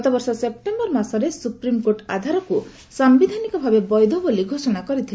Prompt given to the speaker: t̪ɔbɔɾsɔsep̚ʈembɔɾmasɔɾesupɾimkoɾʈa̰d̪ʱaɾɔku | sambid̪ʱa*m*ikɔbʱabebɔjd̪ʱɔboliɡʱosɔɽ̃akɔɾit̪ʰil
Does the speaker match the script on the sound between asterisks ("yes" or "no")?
no